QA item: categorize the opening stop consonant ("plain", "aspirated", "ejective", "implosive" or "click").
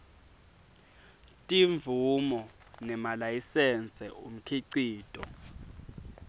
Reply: ejective